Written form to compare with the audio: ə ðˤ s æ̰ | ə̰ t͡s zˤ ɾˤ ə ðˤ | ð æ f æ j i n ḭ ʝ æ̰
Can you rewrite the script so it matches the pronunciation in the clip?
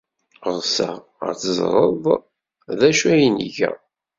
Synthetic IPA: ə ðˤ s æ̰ | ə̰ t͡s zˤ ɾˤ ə ðˤ | ð æ ʃ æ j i n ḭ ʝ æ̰